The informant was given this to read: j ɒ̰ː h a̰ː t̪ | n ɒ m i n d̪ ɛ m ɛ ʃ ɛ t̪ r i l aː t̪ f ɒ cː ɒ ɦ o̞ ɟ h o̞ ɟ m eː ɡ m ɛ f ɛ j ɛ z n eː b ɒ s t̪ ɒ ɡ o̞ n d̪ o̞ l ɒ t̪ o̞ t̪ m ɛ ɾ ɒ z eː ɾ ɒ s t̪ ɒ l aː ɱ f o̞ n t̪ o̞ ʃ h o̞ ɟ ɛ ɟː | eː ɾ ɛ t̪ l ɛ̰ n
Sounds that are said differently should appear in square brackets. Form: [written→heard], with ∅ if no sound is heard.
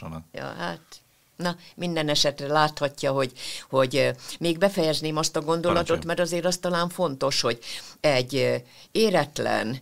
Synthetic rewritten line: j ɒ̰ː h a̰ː t̪ | n ɒ m i n d̪ ɛ [m→n] ɛ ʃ ɛ t̪ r [i→ɛ] l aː t̪ [f→h] ɒ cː ɒ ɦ o̞ ɟ h o̞ ɟ m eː ɡ [m→b] ɛ f ɛ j ɛ z n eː [b→m] ɒ s t̪ ɒ ɡ o̞ n d̪ o̞ l ɒ t̪ o̞ t̪ m ɛ ɾ ɒ z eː ɾ ɒ s t̪ ɒ l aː ɱ f o̞ n t̪ o̞ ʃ h o̞ ɟ ɛ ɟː | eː ɾ ɛ t̪ l ɛ̰ n